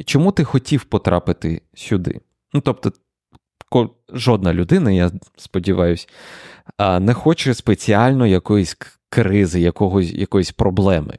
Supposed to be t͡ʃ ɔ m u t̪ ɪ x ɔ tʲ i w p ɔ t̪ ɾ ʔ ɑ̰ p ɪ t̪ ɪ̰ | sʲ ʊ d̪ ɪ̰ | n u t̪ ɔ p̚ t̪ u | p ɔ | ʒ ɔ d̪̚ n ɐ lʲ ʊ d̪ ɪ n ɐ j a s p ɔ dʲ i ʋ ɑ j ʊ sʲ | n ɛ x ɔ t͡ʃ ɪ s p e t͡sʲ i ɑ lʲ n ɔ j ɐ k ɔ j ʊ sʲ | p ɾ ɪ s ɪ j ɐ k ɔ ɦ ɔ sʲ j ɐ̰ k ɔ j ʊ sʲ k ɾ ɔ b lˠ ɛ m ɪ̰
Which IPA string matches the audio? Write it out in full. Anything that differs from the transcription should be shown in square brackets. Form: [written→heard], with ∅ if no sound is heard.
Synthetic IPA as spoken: t͡ʃ ɔ m u t̪ ɪ x ɔ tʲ i w p ɔ t̪ ɾ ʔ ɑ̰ p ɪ t̪ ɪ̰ | sʲ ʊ d̪ ɪ̰ | n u t̪ ɔ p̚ t̪ [u→ɔ] | [p→k] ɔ | ʒ ɔ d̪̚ n ɐ lʲ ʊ d̪ ɪ n ɐ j a s p ɔ dʲ i ʋ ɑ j ʊ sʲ | n ɛ x ɔ t͡ʃ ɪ s p e t͡sʲ i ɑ lʲ n ɔ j ɐ k ɔ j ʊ sʲ | [p→k] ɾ ɪ [s→z] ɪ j ɐ k ɔ ɦ ɔ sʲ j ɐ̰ k ɔ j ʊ sʲ [k→p] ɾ ɔ b lˠ ɛ m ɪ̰